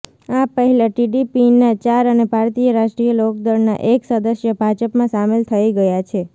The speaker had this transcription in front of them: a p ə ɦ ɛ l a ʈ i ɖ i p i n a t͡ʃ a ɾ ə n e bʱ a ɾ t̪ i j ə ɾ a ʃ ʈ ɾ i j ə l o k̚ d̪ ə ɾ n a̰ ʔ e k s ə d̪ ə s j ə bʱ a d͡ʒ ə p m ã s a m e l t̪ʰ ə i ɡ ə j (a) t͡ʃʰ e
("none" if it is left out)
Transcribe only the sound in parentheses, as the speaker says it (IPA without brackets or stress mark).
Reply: a